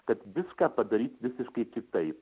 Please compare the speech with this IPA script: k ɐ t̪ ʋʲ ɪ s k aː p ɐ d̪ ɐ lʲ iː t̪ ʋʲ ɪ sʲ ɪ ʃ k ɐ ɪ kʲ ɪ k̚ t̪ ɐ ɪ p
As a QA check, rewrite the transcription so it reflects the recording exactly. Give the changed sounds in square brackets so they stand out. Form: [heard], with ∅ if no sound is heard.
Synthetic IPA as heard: k ɐ t̪ ʋʲ ɪ s k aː p ɐ d̪ ɐ [ɾʲ] iː t̪ ʋʲ ɪ sʲ ɪ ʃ k ɐ ɪ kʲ ɪ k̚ t̪ ɐ ɪ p

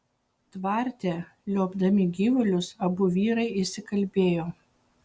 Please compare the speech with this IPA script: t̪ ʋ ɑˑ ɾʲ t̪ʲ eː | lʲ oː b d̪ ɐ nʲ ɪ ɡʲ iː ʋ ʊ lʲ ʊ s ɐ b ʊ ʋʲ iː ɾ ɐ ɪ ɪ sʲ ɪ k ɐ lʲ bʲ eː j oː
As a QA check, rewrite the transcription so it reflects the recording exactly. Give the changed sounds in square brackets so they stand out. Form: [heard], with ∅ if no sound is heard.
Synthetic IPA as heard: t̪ ʋ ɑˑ ɾʲ t̪ʲ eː | lʲ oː b d̪ ɐ [mʲ] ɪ ɡʲ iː ʋ ʊ lʲ ʊ s ɐ b ʊ ʋʲ iː ɾ ɐ ɪ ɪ sʲ ɪ k ɐ lʲ bʲ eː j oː

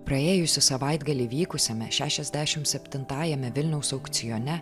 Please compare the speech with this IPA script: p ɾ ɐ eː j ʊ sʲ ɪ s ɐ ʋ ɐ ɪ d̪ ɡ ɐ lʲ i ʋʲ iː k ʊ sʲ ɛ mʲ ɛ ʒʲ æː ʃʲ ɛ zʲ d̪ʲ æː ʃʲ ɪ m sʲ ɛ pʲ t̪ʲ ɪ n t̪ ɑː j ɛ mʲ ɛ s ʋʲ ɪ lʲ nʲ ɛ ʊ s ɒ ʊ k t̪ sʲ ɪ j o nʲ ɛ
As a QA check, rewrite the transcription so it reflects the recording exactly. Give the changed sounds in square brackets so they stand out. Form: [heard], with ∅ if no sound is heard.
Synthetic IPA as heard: p ɾ ɐ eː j ʊ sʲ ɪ s ɐ ʋ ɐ ɪ d̪ ɡ ɐ lʲ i ʋʲ iː k ʊ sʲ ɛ mʲ ɛ [ʃʲ] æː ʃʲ ɛ zʲ d̪ʲ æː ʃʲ ɪ m sʲ ɛ pʲ t̪ʲ ɪ n t̪ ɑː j ɛ mʲ ɛ [∅] ʋʲ ɪ lʲ nʲ ɛ ʊ s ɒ ʊ k t̪ sʲ ɪ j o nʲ ɛ

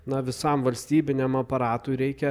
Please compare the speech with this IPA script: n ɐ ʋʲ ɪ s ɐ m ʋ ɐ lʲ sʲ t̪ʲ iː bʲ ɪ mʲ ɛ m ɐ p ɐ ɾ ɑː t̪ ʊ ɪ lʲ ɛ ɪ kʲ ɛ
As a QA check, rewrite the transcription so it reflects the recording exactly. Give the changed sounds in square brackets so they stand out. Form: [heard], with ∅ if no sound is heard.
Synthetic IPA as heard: n ɐ ʋʲ ɪ s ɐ m ʋ ɐ lʲ sʲ t̪ʲ iː bʲ ɪ [nʲ] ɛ m ɐ p ɐ ɾ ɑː t̪ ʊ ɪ [ɾʲ] ɛ ɪ kʲ ɛ

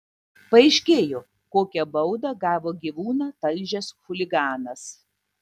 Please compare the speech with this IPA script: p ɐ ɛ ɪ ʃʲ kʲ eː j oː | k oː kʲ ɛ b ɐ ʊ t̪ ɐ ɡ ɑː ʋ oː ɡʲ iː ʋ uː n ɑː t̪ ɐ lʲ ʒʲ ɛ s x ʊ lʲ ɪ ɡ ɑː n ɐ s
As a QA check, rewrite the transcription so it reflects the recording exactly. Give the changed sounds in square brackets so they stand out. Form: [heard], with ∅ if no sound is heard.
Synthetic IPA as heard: p ɐ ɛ ɪ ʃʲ kʲ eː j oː | k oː kʲ ɛ b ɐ ʊ [d̪] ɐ ɡ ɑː ʋ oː ɡʲ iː ʋ uː n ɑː t̪ ɐ lʲ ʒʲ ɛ s x ʊ lʲ ɪ ɡ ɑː n ɐ s

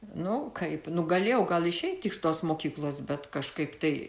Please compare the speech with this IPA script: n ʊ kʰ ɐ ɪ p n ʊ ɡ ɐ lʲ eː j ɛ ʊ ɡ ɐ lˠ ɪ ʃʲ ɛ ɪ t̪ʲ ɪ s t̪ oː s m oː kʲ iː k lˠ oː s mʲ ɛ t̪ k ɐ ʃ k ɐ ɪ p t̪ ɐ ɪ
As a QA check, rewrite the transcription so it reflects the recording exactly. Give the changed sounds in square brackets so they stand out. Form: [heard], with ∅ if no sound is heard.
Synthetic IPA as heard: n ʊ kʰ ɐ ɪ p n ʊ ɡ ɐ lʲ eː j ɛ ʊ ɡ ɐ lˠ ɪ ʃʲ ɛ ɪ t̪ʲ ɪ [ʃ] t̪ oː s m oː kʲ iː k lˠ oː s [bʲ] ɛ t̪ k ɐ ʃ k ɐ ɪ p t̪ ɐ ɪ

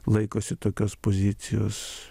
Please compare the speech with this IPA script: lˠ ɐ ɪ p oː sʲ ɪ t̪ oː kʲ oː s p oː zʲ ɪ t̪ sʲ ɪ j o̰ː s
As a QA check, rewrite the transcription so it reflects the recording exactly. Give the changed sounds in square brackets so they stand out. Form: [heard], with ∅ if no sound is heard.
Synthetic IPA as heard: lˠ ɐ ɪ [k] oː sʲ ɪ t̪ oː kʲ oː s p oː zʲ ɪ t̪ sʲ ɪ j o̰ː s

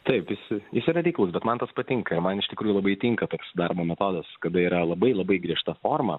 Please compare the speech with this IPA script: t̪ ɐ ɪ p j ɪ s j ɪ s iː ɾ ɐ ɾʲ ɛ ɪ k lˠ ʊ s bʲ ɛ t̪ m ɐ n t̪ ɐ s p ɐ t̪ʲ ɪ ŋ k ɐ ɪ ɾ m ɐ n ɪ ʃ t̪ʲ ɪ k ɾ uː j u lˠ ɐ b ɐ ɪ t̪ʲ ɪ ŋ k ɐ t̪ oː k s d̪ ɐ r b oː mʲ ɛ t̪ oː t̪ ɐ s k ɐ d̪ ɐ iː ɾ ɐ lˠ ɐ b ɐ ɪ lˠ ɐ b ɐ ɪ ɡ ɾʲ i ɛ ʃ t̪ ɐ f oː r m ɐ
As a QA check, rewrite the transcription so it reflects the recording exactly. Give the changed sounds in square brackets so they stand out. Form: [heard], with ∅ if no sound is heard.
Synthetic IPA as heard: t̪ ɐ ɪ p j ɪ s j ɪ s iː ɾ ɐ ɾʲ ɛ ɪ k lˠ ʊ s bʲ ɛ t̪ m ɐ n t̪ ɐ s p ɐ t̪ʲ ɪ ŋ k ɐ ɪ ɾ m ɐ n ɪ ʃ t̪ʲ ɪ k ɾ uː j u lˠ ɐ b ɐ ɪ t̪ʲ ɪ ŋ k ɐ t̪ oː k s d̪ ɐ r b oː mʲ ɛ t̪ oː [d̪] ɐ s k ɐ d̪ ɐ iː ɾ ɐ lˠ ɐ b ɐ ɪ lˠ ɐ b ɐ ɪ ɡ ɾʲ i ɛ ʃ t̪ ɐ f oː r m ɐ

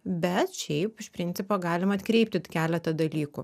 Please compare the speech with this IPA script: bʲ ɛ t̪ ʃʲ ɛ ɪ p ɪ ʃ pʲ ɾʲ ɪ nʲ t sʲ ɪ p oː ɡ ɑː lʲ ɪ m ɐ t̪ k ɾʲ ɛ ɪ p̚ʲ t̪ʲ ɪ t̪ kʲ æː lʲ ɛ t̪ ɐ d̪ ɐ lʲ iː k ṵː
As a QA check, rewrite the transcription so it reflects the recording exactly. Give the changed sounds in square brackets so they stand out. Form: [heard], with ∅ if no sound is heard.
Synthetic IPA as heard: bʲ ɛ t̪ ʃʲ ɛ ɪ p ɪ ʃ pʲ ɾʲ ɪ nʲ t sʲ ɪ p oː ɡ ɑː lʲ ɪ m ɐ t̪ k ɾʲ ɛ ɪ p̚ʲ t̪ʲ ɪ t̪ kʲ æː lʲ ɛ t̪ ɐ d̪ ɐ lʲ iː k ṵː

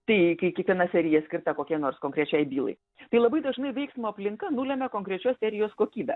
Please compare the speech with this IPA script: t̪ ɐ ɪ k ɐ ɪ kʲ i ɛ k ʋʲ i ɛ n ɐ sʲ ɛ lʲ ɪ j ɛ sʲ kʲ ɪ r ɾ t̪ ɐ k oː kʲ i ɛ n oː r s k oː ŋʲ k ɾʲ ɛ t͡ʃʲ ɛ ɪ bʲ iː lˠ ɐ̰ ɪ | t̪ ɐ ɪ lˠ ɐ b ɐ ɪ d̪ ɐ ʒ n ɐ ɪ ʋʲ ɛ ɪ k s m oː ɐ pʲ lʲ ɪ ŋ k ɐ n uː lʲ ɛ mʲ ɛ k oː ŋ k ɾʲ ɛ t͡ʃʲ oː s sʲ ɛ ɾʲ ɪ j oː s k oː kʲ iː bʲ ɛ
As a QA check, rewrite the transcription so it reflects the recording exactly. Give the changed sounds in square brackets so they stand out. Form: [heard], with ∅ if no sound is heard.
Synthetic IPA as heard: t̪ ɐ ɪ k ɐ ɪ kʲ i ɛ k ʋʲ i ɛ n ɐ sʲ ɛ [ɾʲ] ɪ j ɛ sʲ kʲ ɪ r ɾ t̪ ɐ k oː kʲ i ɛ n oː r s k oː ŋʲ k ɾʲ ɛ t͡ʃʲ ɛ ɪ bʲ iː lˠ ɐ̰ ɪ | t̪ ɐ ɪ lˠ ɐ b ɐ ɪ d̪ ɐ ʒ n ɐ ɪ ʋʲ ɛ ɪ k s m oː ɐ pʲ lʲ ɪ ŋ k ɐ n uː lʲ ɛ mʲ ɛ k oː ŋ k ɾʲ ɛ t͡ʃʲ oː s sʲ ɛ ɾʲ ɪ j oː s k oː kʲ iː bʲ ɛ

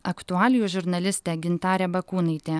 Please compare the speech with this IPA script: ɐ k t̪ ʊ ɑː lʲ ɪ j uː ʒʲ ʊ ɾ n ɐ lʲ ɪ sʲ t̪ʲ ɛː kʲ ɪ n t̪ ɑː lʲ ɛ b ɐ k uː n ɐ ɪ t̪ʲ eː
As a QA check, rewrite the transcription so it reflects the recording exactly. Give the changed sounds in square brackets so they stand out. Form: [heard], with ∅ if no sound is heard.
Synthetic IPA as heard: ɐ k t̪ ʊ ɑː lʲ ɪ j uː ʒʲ ʊ ɾ n ɐ lʲ ɪ sʲ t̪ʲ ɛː [ɡʲ] ɪ n t̪ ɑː [ɾʲ] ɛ b ɐ k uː n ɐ ɪ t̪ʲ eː

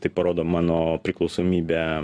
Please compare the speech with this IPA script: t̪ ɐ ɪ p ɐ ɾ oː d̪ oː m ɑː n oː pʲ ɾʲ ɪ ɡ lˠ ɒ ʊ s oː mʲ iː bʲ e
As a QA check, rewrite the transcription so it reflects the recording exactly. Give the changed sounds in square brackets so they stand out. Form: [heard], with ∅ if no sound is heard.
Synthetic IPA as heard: t̪ ɐ ɪ p ɐ ɾ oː d̪ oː m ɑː n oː pʲ ɾʲ ɪ [k] lˠ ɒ ʊ s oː mʲ iː bʲ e

